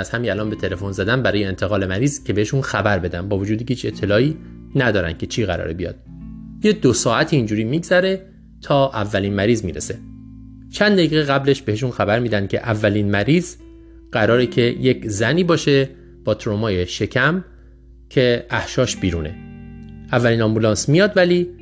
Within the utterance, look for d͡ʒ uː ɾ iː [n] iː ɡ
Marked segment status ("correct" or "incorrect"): incorrect